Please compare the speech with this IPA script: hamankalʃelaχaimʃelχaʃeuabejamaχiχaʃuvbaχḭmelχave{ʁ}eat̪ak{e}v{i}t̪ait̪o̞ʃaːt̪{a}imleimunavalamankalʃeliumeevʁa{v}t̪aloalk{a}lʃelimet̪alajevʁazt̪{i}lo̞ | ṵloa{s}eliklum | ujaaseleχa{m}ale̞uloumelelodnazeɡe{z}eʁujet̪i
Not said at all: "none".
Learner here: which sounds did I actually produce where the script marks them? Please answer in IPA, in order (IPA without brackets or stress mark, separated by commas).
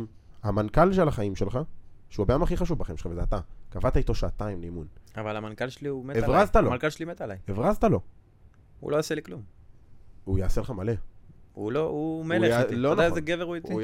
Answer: z, a, a, a, z, a, a, s, m, v